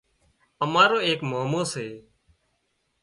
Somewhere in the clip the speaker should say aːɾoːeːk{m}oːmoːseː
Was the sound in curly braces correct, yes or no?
yes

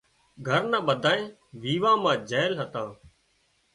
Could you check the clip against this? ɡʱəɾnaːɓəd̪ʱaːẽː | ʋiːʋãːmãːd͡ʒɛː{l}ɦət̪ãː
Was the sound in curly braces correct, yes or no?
yes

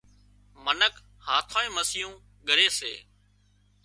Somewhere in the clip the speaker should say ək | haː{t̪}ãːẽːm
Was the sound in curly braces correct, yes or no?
no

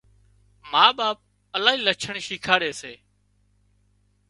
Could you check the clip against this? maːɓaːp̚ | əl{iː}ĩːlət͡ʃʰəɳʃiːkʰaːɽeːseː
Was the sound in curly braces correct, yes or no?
no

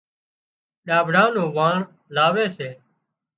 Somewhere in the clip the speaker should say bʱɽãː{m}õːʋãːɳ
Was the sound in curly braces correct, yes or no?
no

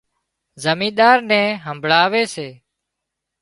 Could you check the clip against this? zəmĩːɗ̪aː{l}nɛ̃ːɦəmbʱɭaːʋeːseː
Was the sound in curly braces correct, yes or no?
no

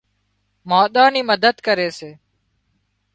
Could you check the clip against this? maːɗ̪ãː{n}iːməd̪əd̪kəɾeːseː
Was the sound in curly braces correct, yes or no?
yes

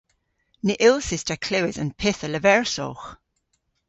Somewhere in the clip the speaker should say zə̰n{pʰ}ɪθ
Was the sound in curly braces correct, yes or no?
yes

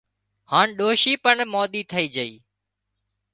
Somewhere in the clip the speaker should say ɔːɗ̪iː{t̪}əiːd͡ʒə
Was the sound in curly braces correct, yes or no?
no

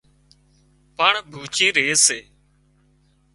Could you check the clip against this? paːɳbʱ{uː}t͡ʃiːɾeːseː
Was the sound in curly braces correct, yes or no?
yes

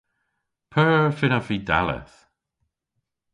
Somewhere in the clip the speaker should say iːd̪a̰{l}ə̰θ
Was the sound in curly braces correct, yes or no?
yes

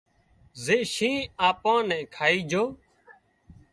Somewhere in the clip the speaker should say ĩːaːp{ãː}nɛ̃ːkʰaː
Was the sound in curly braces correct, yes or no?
yes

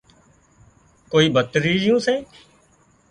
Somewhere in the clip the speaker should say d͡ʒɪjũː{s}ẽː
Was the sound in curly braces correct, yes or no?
yes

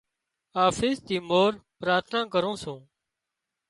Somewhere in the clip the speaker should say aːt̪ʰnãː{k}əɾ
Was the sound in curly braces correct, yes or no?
yes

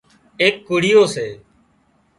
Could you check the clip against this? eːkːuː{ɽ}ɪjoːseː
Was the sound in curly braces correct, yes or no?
yes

